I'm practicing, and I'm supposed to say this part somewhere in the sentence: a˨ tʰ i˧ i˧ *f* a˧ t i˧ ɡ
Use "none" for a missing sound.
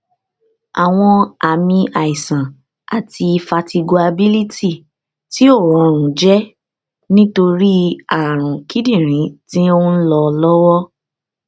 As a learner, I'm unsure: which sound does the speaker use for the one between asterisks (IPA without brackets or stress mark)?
f